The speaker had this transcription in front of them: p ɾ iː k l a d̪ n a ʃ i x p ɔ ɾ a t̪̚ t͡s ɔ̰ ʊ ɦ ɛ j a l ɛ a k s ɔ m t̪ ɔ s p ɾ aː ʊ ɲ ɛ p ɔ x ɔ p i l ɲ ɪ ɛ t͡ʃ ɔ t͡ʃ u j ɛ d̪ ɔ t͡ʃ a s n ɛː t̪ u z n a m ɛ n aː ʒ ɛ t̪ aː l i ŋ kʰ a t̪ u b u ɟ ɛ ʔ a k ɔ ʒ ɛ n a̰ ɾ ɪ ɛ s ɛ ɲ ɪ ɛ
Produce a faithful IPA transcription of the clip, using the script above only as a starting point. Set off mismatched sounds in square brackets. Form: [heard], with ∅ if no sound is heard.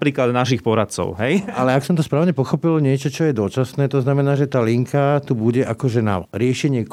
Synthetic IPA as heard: p ɾ iː k l a d̪ n a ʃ i x p ɔ ɾ a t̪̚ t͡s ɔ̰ ʊ ɦ ɛ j a l ɛ a k s ɔ m t̪ ɔ s p ɾ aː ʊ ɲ ɛ p ɔ x ɔ p i l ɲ ɪ ɛ t͡ʃ ɔ t͡ʃ [ɔ] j ɛ d̪ ɔ t͡ʃ a s n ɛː t̪ [ɔ] z n a m ɛ n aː ʒ ɛ t̪ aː l i ŋ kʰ a t̪ u b u ɟ ɛ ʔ a k ɔ ʒ ɛ n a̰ ɾ ɪ ɛ [ʃ] ɛ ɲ ɪ ɛ